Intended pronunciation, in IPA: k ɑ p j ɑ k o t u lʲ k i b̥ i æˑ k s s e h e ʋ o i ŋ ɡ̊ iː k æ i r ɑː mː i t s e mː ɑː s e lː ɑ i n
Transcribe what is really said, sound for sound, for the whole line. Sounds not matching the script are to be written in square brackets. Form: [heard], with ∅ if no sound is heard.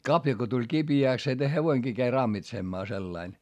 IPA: k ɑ p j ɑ k o t u lʲ k i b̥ i æˑ k s s e h e ʋ o i ŋ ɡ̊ iː k æ i r [ɑ] mː i t s e mː ɑː s e lː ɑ i n